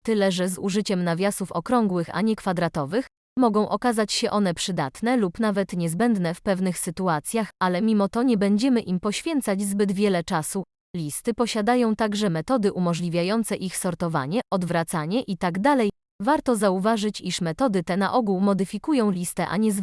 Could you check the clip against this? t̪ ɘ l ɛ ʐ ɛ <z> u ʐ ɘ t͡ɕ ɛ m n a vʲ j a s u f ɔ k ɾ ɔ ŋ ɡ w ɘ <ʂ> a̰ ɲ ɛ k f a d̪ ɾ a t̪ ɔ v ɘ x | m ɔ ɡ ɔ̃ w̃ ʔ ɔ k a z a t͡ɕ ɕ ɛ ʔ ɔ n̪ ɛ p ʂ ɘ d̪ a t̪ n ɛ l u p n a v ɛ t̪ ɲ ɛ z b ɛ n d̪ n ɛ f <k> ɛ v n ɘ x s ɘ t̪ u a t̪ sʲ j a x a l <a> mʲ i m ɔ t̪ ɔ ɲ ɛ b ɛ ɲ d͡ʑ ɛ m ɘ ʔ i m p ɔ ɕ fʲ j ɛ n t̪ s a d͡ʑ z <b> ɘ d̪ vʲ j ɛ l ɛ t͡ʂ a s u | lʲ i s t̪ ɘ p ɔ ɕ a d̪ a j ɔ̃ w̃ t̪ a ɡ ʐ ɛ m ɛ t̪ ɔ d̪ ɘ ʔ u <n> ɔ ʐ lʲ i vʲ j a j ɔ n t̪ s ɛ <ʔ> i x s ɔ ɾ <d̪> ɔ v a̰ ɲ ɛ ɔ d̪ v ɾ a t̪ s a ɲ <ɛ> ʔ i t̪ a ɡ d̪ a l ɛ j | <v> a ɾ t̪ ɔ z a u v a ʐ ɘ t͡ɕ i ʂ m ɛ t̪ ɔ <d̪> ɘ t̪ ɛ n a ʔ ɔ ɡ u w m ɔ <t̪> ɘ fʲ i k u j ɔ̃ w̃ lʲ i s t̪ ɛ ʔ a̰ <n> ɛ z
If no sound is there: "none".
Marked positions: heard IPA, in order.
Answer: z, x, p, ɛ, b, m, ʔ, t̪, ɛ, v, d̪, d̪, ɲ

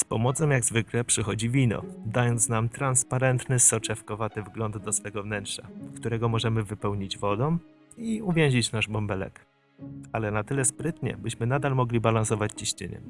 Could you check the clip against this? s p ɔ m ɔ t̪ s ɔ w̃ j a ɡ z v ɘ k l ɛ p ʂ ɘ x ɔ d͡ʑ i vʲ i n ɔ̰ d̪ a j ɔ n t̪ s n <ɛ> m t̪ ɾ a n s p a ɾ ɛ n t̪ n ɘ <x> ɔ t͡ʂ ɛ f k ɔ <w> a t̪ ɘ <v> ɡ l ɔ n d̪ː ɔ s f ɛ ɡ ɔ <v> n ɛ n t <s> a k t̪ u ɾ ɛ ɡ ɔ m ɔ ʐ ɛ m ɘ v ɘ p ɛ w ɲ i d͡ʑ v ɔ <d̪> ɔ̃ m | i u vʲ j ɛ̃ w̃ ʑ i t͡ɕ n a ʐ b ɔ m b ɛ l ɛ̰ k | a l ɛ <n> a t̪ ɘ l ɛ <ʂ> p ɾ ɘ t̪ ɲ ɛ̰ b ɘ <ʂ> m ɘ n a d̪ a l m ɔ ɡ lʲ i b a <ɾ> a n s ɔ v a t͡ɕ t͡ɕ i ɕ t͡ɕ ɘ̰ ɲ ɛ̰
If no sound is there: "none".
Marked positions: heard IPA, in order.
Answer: a, s, v, v, v, ʂ, d̪, n, s, ɕ, l

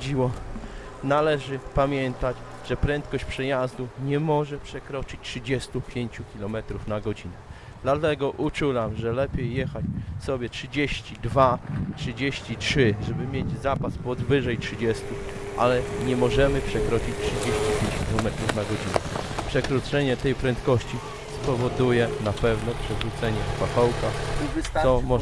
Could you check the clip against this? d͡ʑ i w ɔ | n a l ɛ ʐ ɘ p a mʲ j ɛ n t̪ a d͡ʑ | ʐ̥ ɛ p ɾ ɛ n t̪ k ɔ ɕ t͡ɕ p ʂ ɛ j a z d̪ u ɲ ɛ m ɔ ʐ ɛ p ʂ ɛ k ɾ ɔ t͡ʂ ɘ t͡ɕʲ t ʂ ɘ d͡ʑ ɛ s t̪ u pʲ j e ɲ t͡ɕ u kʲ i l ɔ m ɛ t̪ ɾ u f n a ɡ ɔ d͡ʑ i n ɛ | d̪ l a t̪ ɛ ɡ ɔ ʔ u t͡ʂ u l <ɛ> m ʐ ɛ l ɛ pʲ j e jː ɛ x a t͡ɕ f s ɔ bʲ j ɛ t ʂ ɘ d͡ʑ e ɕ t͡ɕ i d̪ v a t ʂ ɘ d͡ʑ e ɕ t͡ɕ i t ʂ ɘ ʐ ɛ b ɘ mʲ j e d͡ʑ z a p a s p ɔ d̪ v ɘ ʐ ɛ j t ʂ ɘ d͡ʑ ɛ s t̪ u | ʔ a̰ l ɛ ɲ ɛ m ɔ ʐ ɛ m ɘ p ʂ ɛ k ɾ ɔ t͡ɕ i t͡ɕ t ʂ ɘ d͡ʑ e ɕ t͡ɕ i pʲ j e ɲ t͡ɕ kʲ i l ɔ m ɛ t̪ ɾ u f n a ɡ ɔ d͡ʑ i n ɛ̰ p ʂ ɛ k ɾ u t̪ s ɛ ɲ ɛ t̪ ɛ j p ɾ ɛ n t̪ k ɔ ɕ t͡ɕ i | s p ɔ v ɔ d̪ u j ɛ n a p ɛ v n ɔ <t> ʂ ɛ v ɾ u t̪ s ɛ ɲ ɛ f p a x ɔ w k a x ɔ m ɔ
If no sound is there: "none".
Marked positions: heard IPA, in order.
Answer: a, p

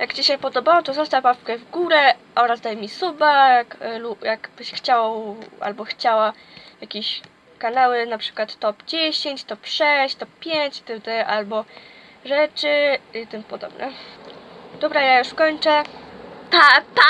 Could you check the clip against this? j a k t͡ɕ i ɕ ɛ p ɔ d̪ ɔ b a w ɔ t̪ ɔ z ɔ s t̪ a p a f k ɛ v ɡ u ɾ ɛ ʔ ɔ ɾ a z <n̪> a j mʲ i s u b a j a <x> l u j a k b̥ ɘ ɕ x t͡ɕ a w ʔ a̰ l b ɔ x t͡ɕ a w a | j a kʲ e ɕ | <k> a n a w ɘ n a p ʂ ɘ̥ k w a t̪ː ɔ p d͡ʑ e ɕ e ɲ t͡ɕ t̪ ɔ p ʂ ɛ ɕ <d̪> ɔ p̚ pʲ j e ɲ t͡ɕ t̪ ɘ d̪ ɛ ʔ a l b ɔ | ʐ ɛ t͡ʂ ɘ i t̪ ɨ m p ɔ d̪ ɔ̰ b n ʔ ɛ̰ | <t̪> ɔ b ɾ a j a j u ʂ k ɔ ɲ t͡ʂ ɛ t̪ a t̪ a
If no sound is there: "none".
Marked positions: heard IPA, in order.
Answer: d̪, k, k, t̪, d̪

